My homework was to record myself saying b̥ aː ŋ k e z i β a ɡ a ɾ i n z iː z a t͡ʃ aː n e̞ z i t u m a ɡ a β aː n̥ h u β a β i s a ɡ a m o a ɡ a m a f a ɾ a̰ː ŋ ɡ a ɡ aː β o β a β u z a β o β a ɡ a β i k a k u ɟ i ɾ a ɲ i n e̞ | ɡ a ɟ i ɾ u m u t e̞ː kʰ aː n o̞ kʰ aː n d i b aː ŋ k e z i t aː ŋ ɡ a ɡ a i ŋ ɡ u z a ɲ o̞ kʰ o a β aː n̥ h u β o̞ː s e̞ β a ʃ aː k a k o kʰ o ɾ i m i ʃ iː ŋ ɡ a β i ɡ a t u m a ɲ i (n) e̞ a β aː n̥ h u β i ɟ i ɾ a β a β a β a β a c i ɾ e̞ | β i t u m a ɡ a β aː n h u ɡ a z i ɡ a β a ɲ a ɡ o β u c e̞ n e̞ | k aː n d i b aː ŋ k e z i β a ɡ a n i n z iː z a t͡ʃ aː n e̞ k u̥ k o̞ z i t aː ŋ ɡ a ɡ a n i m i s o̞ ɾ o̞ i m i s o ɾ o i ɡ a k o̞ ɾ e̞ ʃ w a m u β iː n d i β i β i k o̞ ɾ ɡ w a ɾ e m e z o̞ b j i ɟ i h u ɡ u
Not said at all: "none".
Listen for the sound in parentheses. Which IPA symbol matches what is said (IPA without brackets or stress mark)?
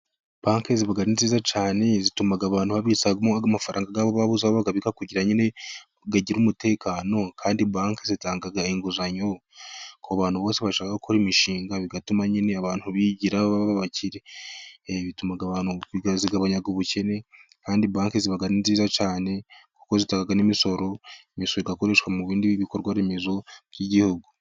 n